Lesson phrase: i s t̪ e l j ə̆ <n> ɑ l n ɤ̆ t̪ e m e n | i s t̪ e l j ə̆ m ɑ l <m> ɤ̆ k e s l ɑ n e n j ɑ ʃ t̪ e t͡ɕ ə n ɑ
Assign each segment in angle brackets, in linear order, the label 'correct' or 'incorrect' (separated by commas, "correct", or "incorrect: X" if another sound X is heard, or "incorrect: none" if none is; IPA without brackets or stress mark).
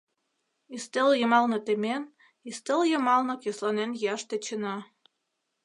incorrect: m, incorrect: n